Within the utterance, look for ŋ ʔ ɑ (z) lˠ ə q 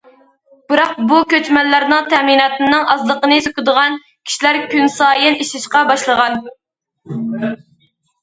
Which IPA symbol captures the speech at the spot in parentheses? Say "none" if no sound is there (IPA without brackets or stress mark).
z